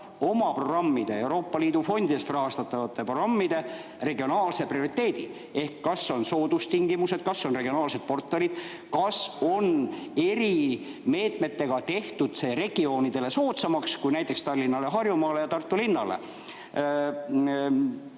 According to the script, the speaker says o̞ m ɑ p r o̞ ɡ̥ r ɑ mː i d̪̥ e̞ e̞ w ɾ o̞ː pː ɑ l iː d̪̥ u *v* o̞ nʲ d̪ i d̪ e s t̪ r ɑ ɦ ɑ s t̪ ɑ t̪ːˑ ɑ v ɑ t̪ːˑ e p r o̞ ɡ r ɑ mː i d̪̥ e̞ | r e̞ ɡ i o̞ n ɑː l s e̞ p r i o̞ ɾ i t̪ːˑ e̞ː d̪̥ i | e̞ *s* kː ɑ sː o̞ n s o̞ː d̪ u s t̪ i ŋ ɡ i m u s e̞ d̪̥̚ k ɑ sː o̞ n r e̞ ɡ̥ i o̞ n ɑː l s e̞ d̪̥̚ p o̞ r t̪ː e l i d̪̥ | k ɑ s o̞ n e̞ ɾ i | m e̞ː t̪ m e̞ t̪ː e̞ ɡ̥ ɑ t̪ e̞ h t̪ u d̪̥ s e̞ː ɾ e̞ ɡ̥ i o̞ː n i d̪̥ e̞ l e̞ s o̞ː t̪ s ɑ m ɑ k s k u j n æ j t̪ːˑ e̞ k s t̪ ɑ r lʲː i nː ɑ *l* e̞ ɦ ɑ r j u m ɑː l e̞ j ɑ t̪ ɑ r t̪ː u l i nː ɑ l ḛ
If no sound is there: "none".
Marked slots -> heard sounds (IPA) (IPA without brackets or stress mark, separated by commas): f, h, l